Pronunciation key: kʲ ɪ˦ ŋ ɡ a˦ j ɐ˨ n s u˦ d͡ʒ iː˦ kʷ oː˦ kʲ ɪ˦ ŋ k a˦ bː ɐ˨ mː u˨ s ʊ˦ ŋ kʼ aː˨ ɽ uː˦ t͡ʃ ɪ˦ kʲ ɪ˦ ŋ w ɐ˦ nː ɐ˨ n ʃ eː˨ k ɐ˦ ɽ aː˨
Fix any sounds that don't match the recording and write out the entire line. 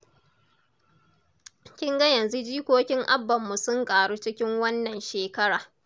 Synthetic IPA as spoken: kʲ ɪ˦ ŋ ɡ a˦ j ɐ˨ n z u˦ d͡ʒ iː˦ kʷ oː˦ kʲ ɪ˦ ŋ ʔ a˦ bː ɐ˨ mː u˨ s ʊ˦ ŋ kʼ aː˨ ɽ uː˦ t͡ʃ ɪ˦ kʲ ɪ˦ ŋ w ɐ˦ nː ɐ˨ n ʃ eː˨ k ɐ˦ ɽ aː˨